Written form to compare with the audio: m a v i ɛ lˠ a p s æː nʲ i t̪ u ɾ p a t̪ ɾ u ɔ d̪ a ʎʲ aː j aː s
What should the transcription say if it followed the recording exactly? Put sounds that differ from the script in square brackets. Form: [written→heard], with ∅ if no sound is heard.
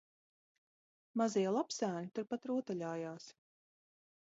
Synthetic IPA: m a [v→z] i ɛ lˠ a p s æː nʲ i t̪ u ɾ p a t̪ ɾ u ɔ [d̪→t̪] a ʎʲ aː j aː s